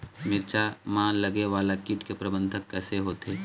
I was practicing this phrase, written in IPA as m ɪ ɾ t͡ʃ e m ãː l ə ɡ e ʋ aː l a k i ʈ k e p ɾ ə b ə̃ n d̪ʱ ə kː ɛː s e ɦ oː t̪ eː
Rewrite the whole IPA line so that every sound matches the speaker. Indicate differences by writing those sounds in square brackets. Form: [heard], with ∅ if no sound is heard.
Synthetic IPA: m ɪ ɾ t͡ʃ [a] m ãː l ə ɡ e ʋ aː l a k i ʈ k e p ɾ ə b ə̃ n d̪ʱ ə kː ɛː s e ɦ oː t̪ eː